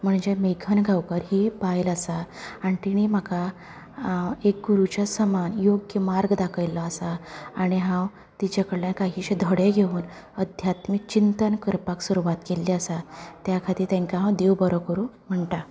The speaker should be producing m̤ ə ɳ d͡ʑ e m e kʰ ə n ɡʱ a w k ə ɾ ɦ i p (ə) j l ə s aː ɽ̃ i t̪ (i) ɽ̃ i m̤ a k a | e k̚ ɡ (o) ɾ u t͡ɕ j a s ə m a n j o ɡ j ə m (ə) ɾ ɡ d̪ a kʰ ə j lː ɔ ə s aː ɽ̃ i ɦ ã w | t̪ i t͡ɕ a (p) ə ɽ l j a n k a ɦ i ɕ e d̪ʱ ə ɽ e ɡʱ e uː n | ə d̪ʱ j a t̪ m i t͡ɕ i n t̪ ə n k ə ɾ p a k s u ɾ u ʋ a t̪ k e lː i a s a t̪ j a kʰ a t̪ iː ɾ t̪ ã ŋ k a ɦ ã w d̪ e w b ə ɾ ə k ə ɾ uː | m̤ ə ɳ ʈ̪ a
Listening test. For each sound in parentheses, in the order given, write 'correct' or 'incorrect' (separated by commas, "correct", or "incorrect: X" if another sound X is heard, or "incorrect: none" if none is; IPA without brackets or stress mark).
incorrect: a, correct, incorrect: u, incorrect: a, incorrect: k